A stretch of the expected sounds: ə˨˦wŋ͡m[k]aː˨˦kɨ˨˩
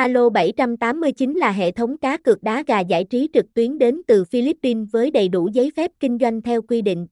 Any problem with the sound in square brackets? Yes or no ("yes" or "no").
no